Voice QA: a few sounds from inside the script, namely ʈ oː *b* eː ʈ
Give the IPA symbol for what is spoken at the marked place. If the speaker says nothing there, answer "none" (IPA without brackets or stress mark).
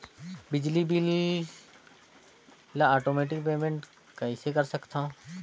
m